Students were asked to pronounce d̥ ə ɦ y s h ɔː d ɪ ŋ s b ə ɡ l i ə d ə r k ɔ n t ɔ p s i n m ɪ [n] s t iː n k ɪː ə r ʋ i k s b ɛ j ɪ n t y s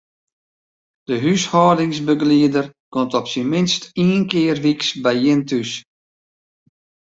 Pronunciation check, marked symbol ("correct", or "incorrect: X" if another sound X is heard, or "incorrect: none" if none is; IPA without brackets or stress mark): correct